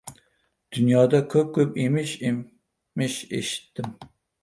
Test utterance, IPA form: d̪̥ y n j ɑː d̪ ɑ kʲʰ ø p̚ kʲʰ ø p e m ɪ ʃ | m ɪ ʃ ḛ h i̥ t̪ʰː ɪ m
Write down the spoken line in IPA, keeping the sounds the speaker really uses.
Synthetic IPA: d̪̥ y n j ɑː d̪ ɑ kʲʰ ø p̚ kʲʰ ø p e m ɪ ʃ | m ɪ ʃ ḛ ʃ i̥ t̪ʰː ɪ m